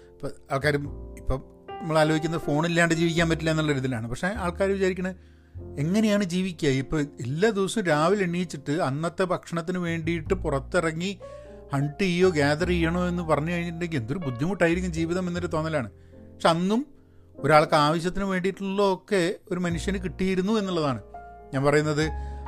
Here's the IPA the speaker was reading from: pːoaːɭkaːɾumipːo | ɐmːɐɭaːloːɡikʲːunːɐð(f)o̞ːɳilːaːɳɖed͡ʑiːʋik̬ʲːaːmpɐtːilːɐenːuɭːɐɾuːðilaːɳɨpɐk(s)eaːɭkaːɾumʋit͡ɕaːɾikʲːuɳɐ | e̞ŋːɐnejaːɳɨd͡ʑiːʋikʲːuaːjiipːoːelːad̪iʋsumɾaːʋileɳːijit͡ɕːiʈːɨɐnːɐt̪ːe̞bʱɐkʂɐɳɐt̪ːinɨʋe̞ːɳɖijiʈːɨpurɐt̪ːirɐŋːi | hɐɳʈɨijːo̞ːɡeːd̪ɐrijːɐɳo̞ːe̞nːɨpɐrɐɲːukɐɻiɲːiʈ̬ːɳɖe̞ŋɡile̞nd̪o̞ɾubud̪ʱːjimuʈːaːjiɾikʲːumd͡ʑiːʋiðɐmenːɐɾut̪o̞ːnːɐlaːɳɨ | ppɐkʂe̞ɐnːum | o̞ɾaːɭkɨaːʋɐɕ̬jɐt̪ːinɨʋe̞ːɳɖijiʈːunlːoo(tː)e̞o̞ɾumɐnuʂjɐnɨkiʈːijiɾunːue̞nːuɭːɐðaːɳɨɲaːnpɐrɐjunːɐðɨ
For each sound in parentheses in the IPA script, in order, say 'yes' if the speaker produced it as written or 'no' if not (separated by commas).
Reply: yes, no, no